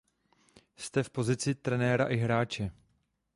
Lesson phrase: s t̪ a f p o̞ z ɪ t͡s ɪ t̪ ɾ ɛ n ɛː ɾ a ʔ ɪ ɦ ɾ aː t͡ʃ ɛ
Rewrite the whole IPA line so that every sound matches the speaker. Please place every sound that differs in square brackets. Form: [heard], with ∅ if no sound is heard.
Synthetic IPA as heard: s t̪ [ɛ] f p o̞ z ɪ t͡s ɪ t̪ ɾ ɛ n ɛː ɾ a ʔ ɪ ɦ ɾ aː t͡ʃ ɛ